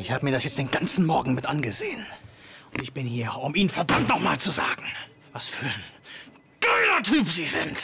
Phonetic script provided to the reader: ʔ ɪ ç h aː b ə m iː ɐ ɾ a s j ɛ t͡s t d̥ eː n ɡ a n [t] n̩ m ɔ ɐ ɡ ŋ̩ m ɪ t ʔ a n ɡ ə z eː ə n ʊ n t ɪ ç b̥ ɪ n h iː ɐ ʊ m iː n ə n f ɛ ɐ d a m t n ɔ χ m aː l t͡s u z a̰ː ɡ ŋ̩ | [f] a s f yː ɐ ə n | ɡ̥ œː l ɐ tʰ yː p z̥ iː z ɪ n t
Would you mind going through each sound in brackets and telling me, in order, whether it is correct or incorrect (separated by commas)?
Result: incorrect, incorrect